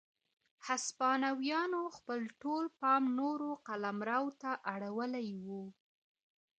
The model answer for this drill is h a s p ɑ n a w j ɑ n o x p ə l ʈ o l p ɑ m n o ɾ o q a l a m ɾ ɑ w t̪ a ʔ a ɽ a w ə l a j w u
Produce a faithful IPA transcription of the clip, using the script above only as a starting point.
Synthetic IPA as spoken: h a s p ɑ n a w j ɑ n o x p ə l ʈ o l p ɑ m n o ɾ o q a l a m ɾ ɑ w t̪ a ʔ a ɽ a w ə l a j w u